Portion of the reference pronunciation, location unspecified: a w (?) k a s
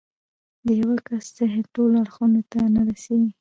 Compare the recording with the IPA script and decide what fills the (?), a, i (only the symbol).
a